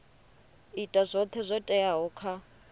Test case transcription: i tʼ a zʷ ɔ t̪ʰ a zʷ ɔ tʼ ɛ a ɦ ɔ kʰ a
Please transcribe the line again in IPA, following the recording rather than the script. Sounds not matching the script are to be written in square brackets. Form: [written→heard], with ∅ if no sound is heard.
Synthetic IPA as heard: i tʼ a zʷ ɔ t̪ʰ [a→ɛ] zʷ ɔ tʼ ɛ a ɦ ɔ kʰ a

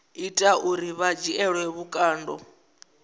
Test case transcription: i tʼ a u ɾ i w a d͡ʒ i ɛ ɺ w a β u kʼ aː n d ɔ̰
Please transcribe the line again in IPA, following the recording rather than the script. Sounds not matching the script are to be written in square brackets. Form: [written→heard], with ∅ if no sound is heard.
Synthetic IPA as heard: i tʼ a u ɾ i [w→β] a d͡ʒ i ɛ ɺ w [a→ɛ] β u kʼ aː n d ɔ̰

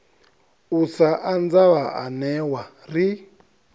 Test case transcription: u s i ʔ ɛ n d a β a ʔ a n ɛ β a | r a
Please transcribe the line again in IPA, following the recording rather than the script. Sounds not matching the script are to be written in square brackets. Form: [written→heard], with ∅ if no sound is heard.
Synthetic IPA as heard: u s [i→a] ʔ [ɛ→a] n [d→d͡z] a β a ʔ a n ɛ [β→w] a | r [a→i]

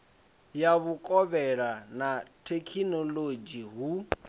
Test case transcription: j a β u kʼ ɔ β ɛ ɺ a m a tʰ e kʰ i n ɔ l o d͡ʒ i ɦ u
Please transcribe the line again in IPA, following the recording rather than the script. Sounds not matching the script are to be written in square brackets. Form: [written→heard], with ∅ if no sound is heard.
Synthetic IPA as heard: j a β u kʼ ɔ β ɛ ɺ a [m→n] a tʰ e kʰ i n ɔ l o d͡ʒ i ɦ u

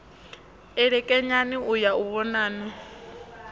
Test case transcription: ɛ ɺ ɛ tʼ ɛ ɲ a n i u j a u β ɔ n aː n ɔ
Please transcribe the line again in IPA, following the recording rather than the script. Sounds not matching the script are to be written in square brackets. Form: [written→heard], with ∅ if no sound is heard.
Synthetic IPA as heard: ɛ ɺ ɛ [tʼ→kʼ] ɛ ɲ a n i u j a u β ɔ n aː n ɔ

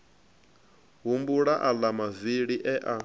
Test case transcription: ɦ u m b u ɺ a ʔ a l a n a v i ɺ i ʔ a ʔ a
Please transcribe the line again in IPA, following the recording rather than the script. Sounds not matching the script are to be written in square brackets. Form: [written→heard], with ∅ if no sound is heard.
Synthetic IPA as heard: ɦ u m b u ɺ a ʔ a l a [n→m] a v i ɺ i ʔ [a→ɛ] ʔ a

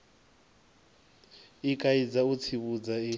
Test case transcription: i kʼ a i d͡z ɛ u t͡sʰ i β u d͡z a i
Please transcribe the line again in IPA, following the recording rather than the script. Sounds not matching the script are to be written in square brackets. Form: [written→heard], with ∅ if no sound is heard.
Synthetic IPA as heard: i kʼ a i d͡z [ɛ→a] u t͡sʰ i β u d͡z a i

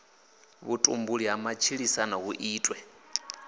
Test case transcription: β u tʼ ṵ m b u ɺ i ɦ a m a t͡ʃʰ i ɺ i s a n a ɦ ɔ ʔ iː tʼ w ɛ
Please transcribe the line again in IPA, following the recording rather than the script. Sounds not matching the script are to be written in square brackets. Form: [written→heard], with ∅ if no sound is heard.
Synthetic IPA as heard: β u tʼ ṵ m b u ɺ i ɦ a m a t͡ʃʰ i ɺ i s a n a ɦ [ɔ→u] ʔ iː tʼ w ɛ

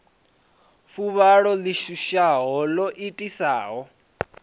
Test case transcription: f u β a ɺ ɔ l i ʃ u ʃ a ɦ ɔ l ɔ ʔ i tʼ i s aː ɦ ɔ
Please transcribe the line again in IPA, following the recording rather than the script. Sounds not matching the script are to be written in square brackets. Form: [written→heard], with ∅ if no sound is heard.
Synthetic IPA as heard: f u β a ɺ ɔ l i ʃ u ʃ a ɦ ɔ l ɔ ʔ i tʼ i s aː ɦ ɔ

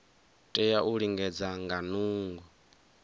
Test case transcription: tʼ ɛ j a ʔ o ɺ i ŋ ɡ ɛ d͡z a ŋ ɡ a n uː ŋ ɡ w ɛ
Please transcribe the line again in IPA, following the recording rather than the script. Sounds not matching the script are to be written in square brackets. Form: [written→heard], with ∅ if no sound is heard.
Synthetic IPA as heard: tʼ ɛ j a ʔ [o→u] ɺ i ŋ ɡ ɛ d͡z a ŋ ɡ a n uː ŋ ɡ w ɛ

